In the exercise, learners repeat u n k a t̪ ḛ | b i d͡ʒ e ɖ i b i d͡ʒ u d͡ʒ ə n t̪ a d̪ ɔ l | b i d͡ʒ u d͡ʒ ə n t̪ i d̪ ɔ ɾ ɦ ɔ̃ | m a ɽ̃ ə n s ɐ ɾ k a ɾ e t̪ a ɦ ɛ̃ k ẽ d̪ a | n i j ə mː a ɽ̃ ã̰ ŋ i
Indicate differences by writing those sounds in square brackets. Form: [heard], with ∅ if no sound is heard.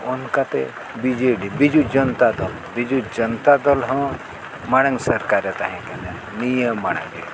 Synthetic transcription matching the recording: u n k a t̪ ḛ | b i d͡ʒ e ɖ i b i d͡ʒ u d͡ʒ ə n t̪ a d̪ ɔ l | b i d͡ʒ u d͡ʒ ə n t̪ [a] d̪ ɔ [l] ɦ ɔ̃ | m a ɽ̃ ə [ŋ] s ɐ ɾ k a ɾ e t̪ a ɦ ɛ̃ k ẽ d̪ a | n i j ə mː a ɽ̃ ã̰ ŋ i